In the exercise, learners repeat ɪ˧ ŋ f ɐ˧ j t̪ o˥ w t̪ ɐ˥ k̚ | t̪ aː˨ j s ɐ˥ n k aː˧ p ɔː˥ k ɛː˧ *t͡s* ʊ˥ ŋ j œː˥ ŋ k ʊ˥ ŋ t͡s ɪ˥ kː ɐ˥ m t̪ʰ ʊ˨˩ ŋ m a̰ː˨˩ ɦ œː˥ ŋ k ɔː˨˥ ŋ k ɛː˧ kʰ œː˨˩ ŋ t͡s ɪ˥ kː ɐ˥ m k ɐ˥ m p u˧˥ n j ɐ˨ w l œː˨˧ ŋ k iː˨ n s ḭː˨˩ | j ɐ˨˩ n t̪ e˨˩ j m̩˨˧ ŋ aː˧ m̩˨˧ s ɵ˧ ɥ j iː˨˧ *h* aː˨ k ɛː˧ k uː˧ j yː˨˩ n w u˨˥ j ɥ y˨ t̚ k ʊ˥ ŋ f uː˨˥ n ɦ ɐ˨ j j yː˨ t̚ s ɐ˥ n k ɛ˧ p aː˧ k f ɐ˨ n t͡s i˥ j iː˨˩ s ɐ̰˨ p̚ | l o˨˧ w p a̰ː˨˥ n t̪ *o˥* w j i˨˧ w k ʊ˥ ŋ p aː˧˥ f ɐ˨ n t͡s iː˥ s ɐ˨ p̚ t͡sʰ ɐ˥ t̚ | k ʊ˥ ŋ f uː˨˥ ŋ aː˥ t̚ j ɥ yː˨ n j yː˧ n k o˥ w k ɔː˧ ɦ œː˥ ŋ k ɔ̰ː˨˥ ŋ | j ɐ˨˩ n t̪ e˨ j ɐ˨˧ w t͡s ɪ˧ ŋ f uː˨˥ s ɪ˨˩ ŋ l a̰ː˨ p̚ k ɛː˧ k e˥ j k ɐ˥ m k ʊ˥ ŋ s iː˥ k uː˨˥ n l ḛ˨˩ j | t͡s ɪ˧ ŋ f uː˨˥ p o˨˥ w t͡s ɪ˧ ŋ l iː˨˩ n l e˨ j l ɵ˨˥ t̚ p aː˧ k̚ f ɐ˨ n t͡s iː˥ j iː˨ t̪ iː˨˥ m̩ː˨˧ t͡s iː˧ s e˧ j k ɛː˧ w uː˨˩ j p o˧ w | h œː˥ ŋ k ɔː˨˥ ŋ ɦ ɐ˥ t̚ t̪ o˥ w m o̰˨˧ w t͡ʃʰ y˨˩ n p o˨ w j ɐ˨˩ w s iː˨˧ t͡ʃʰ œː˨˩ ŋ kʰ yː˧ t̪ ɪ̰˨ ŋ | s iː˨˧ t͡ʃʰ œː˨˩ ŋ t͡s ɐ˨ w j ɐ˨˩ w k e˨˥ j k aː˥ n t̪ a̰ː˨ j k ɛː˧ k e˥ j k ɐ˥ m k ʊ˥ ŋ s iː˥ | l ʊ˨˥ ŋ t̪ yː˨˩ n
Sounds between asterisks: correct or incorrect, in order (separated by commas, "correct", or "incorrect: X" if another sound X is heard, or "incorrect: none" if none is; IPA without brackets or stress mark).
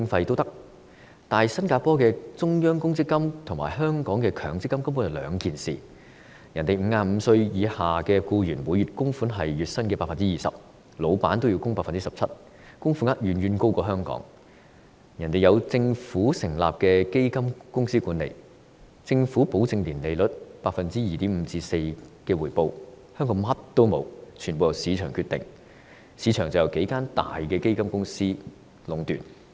correct, correct, correct